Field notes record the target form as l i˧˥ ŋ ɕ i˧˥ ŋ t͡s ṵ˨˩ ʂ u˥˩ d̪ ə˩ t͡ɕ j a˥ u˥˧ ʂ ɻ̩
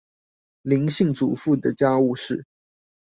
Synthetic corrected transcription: l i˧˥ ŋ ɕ i˥˩ ŋ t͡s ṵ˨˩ f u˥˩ d̪ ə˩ t͡ɕ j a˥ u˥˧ ʂ ɻ̩